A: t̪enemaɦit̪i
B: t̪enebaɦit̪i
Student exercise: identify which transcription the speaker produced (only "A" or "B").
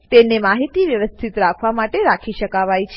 A